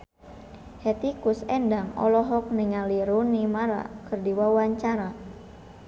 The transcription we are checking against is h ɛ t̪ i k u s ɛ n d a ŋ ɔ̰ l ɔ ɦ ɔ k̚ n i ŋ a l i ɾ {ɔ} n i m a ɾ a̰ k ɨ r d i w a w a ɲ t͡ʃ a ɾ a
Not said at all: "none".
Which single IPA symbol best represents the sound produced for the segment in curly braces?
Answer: u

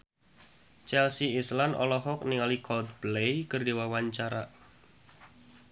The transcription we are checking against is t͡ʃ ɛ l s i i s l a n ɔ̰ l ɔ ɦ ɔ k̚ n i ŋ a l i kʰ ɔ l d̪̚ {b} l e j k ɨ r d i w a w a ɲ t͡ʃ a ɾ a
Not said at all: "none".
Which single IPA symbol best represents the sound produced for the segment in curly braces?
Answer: b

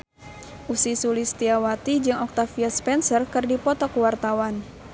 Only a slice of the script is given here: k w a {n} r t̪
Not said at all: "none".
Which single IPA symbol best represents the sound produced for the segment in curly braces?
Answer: none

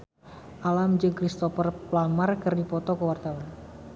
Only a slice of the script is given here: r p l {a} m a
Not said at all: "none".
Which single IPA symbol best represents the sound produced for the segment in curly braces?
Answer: a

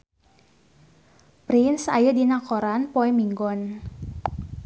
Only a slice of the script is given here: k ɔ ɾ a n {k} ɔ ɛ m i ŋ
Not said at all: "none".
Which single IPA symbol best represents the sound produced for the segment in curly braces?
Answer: p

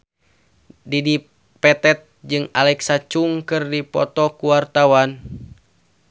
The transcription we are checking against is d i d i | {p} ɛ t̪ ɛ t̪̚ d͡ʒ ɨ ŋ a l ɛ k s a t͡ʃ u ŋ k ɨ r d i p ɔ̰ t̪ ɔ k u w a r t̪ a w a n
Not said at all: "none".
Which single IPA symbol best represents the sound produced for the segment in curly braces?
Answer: p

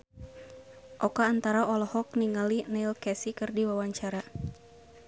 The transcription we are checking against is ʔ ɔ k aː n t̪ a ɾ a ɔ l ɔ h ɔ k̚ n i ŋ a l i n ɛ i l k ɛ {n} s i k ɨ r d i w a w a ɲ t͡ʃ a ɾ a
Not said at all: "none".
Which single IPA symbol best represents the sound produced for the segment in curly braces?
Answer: none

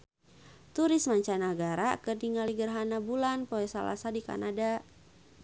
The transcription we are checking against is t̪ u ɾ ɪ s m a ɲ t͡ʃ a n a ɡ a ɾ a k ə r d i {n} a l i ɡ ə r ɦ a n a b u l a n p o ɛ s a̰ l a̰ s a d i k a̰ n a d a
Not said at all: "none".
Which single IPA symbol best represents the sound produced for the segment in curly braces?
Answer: ŋ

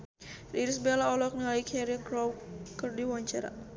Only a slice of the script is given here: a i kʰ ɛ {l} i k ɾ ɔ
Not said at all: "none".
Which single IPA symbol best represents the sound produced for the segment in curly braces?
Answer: ɾ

